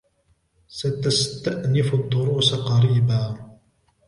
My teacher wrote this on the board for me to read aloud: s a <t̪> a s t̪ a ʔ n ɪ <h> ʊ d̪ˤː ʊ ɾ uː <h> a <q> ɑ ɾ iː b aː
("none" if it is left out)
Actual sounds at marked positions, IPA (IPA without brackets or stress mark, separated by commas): t̪, f, s, q